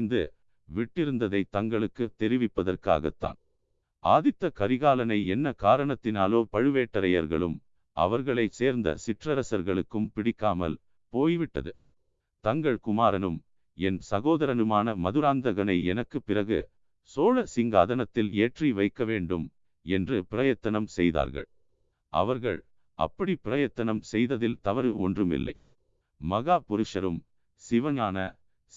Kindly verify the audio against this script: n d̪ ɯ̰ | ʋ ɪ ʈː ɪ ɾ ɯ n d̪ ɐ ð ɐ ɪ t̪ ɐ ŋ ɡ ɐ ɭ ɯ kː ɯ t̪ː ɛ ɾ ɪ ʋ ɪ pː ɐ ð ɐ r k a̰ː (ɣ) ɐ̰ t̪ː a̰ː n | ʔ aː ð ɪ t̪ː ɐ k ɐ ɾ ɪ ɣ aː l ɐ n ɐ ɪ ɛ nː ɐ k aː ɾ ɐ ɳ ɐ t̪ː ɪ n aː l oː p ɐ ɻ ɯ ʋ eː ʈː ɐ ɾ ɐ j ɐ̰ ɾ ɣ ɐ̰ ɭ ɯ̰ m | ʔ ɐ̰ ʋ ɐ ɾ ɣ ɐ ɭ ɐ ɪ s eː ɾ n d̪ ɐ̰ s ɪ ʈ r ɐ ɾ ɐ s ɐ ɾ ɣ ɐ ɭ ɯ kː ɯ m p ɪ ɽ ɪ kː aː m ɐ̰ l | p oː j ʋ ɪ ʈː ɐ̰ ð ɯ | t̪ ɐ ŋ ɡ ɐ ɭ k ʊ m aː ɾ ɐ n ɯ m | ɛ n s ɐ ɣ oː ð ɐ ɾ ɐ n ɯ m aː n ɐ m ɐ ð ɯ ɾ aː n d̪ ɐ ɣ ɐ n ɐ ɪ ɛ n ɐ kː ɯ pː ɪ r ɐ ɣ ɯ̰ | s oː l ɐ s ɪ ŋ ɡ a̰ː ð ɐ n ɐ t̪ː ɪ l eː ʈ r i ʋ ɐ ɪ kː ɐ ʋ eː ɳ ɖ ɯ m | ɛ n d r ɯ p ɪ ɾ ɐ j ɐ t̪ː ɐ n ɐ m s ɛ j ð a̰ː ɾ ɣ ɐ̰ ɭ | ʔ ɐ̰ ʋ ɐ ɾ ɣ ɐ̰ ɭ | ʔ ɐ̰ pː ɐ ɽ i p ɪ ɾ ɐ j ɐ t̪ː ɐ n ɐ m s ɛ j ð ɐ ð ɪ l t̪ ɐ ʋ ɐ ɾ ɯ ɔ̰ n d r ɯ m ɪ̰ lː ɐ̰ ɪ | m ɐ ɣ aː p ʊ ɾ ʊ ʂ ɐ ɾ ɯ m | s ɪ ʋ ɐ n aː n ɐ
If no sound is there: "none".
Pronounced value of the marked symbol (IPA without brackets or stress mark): ɣ